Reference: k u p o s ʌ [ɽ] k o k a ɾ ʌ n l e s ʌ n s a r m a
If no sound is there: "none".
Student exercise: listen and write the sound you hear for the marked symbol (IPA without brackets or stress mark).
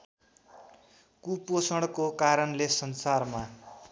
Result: ɽ